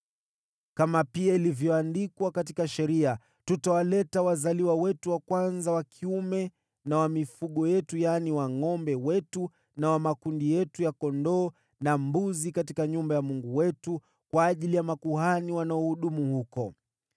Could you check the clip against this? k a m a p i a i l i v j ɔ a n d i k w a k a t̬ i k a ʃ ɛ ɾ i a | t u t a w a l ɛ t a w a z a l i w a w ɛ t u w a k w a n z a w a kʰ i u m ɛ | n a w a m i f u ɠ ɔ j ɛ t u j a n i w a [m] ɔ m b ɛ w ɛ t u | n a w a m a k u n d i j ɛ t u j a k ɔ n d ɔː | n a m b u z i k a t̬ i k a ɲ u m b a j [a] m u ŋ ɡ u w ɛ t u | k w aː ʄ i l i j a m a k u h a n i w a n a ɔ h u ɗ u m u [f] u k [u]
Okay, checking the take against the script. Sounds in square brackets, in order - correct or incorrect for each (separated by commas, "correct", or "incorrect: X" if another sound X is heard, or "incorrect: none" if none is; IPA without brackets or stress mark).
incorrect: ŋ, correct, incorrect: h, incorrect: ɔ